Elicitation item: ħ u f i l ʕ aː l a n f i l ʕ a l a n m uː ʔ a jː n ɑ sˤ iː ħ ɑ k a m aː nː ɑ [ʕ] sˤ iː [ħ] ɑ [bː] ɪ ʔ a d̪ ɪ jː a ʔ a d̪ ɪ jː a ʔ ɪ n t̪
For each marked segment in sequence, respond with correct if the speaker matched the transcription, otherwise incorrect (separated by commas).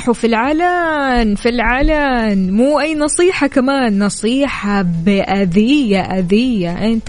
incorrect, correct, incorrect